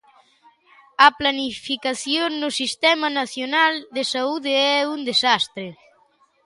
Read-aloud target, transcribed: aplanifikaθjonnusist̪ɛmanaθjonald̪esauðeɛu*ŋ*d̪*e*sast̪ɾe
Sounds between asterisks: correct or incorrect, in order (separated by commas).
incorrect, correct